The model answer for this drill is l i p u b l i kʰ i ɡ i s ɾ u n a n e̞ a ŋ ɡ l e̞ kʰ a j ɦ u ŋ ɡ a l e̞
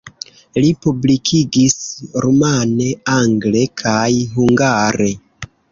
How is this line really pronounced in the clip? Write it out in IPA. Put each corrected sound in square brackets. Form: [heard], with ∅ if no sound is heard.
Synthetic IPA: l i p u b l i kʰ i ɡ i s ɾ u [m] a n e̞ a ŋ ɡ l e̞ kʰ a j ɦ u ŋ ɡ a [ɾ] e̞